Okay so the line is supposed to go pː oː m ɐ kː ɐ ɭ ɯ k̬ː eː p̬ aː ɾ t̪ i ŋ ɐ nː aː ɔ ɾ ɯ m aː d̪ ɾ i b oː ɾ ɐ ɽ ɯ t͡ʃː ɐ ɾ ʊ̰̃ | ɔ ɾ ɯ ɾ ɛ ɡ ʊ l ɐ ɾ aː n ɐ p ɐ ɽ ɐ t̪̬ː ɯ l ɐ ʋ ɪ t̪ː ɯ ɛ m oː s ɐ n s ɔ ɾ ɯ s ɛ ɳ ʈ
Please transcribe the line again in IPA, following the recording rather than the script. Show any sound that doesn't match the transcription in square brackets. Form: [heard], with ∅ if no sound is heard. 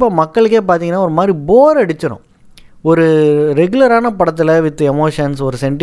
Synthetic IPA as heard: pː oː m ɐ kː ɐ ɭ ɯ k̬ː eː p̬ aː ɾ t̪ i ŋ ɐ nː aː ɔ ɾ ɯ m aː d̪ ɾ i b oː ɾ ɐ ɽ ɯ t͡ʃː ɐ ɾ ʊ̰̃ | ɔ ɾ ɯ ɾ ɛ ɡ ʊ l ɐ ɾ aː n ɐ p ɐ ɽ ɐ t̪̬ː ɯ l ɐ ʋ ɪ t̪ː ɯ ɛ m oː [ʂ] ɐ n s ɔ ɾ ɯ s ɛ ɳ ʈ